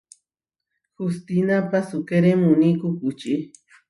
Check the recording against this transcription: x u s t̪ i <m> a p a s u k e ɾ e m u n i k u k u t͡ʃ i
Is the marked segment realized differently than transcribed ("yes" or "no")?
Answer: yes